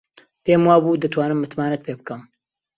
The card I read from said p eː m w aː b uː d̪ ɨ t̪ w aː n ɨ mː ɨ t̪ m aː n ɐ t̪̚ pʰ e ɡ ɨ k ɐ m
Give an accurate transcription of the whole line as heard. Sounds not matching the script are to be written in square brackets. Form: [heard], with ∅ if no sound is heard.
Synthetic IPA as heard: p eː m w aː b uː d̪ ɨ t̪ w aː n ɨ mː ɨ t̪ m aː n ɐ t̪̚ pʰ e [b] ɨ k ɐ m